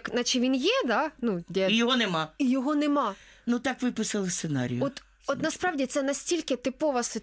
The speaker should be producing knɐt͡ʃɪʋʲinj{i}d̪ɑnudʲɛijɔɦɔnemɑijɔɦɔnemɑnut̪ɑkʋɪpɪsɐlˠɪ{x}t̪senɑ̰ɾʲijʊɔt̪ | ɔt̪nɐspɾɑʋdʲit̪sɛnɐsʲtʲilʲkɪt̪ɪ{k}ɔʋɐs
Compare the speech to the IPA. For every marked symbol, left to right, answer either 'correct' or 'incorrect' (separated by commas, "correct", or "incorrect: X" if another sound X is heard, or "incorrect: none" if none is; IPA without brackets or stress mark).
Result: incorrect: ɛ, incorrect: s, incorrect: p